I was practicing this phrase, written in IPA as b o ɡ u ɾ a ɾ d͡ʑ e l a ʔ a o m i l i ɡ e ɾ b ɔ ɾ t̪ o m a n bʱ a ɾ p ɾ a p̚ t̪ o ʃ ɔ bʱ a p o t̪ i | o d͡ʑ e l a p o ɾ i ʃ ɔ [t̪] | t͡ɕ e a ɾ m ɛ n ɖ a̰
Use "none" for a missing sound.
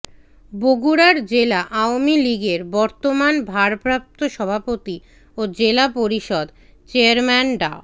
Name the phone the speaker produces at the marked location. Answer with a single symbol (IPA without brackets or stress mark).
d̪